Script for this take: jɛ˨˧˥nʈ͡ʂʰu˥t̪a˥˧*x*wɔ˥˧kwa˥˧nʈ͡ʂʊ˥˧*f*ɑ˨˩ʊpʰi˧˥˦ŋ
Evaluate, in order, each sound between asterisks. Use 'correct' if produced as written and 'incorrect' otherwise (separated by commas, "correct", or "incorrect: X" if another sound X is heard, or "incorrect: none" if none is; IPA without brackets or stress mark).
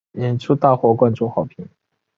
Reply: correct, incorrect: x